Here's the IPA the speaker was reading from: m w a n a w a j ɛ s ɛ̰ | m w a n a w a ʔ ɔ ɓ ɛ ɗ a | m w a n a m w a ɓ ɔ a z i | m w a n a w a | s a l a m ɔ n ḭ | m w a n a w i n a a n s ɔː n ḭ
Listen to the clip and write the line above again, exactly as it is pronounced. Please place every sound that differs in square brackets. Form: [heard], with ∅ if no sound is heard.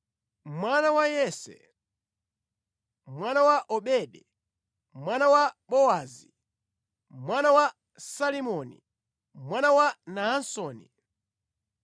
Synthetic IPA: m w a n a w a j ɛ s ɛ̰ | m w a n a w a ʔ ɔ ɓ ɛ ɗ [ɛ] | m w a n a [∅] w a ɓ ɔ a z i | m w a n a w a | s a l [i] m ɔ n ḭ | m w a n a w [a] n a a n s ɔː n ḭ

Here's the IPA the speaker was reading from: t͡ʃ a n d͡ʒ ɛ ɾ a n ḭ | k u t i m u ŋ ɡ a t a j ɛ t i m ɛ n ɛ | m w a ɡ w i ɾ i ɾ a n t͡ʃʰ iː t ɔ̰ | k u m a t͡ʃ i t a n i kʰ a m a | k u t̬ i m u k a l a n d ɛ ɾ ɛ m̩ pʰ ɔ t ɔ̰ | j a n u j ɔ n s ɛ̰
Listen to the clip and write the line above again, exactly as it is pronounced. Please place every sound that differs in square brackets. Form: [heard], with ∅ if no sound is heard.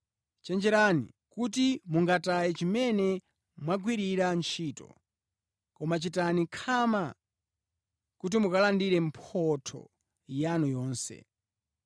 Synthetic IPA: t͡ʃ [ɛ] n d͡ʒ ɛ ɾ a n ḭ | k u t i m u ŋ ɡ a t a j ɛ [t͡ʃ] i m ɛ n ɛ | m w a ɡ w i ɾ i ɾ a n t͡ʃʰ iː t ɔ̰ | k [ɔ] m a t͡ʃ i t a n i kʰ a m a | k u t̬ i m u k a l a n d [i] ɾ ɛ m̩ pʰ ɔ [tʰ] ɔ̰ | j a n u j [ɔː] n s ɛ̰

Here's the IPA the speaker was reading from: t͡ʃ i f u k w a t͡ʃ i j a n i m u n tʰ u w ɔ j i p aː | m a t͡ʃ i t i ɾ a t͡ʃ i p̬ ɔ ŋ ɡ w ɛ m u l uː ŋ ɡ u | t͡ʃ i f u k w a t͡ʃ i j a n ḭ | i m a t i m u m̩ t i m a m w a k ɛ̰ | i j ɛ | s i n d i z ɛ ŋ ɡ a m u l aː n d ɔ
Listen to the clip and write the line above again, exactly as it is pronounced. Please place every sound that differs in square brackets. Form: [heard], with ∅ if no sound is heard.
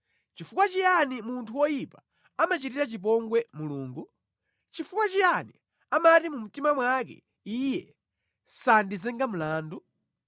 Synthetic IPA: t͡ʃ i f u k w a t͡ʃ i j a n i m u n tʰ u w ɔ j i p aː | m a t͡ʃ i t i ɾ a t͡ʃ i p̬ ɔ ŋ ɡ w ɛ m u l uː ŋ ɡ u | t͡ʃ i f u k w a t͡ʃ i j a n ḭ | [a] m a t i m u m̩ t i m a m w a k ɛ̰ | i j ɛ | s [a] n d i z ɛ ŋ ɡ a m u l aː n d [u]

